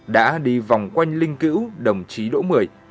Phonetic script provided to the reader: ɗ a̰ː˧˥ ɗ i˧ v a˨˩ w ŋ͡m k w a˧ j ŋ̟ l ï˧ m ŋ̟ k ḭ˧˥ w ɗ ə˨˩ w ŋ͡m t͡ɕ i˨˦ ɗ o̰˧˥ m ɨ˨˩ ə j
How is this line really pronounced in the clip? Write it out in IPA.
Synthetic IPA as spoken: ɗ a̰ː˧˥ ɗ i˧ v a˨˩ w ŋ͡m k w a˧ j ŋ̟ l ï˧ ŋ̟ k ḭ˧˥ w ɗ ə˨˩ w ŋ͡m t͡ɕ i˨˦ ɗ o̰˧˥ m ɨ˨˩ ə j

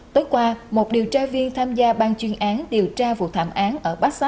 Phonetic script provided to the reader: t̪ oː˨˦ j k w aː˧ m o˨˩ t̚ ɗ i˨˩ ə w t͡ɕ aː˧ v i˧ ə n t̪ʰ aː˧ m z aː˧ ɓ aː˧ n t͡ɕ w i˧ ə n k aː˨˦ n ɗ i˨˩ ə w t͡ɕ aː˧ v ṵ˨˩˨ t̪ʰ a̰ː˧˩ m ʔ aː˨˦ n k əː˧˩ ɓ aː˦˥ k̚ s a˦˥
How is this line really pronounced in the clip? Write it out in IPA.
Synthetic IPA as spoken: t̪ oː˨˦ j k w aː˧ m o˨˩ t̚ ɗ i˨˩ ə w t͡ɕ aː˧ v i˧ ə n t̪ʰ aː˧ m z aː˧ ɓ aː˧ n t͡ɕ w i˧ ə n ʔ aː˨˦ n ɗ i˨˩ ə w t͡ɕ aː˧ v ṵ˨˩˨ t̪ʰ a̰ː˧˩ m ʔ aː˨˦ n ʔ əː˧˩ ɓ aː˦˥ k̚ s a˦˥

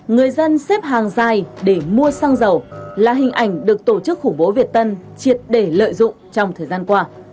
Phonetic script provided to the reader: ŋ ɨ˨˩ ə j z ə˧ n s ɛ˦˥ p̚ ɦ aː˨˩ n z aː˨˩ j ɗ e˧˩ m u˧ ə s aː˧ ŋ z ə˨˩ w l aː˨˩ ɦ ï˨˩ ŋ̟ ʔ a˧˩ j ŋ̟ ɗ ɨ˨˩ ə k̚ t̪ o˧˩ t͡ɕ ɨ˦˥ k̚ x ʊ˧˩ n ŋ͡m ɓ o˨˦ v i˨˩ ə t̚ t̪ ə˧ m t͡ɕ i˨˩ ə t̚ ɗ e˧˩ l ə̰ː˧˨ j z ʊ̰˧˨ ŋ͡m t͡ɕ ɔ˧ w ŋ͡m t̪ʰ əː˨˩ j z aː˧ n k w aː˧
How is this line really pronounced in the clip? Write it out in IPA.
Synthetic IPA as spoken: ŋ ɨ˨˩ ə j z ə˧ n s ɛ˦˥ p̚ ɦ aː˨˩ ŋ z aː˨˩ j ɗ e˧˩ m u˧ ə s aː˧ ŋ z ə˨˩ w l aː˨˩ ɦ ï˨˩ ŋ̟ ʔ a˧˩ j ŋ̟ ɗ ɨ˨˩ ə k̚ t̪ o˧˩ t͡ɕ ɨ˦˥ k̚ x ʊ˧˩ ŋ͡m ɓ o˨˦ v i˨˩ ə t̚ t̪ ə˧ n t͡ɕ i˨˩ ə t̚ ɗ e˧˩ l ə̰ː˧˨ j z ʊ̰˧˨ ŋ͡m t͡ɕ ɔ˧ w ŋ͡m t̪ʰ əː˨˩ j z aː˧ n k w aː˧

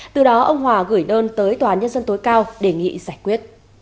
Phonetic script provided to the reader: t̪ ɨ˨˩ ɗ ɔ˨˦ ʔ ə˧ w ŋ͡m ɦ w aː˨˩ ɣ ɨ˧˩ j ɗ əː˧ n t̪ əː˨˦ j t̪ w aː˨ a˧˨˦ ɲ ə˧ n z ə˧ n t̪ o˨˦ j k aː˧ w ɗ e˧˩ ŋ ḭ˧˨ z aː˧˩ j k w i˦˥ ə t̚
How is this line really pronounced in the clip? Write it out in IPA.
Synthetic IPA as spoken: t̪ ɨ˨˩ ɗ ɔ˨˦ ʔ ə˧ w ŋ͡m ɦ w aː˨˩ ɣ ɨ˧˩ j ɗ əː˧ n t̪ əː˨˦ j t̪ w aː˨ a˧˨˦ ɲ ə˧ n z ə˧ n t̪ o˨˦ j k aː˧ w ɗ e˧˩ ŋ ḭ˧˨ z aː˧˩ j k w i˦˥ ə t̚

